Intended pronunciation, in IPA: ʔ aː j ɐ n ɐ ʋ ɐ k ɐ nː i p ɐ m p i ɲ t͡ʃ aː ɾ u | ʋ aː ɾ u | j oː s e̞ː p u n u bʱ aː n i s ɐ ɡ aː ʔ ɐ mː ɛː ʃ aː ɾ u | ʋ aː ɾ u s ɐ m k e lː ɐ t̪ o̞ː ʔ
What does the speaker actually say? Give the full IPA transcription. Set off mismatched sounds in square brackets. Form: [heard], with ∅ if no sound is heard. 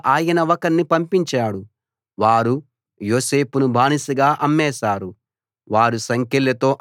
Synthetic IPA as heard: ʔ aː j ɐ n ɐ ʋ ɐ k ɐ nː i p ɐ m p i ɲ t͡ʃ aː [ɽ] u | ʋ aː ɾ u | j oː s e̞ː p u n u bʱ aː n i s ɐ ɡ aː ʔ ɐ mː ɛː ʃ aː ɾ u | ʋ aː ɾ u s ɐ [ŋ] k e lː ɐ t̪ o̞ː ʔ